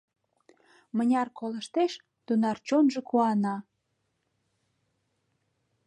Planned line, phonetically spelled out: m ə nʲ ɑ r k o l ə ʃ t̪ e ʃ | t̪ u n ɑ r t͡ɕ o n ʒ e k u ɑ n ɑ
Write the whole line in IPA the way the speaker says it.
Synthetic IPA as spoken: m ə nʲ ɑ r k o l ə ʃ t̪ e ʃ | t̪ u n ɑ r t͡ɕ o n ʒ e k u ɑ n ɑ